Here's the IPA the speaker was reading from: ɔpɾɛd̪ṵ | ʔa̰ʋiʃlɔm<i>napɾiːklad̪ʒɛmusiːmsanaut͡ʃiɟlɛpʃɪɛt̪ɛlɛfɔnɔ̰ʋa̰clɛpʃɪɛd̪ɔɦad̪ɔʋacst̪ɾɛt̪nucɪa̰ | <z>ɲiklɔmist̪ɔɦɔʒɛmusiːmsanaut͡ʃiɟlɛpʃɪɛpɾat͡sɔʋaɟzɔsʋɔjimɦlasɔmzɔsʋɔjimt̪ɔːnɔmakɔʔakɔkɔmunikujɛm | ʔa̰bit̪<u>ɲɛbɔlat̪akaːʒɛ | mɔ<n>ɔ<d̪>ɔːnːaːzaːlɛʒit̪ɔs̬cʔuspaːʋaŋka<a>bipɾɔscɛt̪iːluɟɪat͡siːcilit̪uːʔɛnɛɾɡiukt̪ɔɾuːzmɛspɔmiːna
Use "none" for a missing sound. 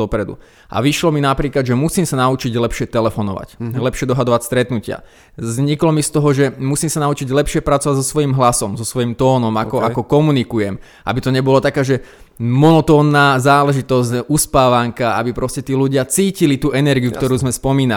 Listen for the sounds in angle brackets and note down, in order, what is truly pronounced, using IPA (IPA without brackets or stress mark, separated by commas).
i, z, ɔ, n, t̪, a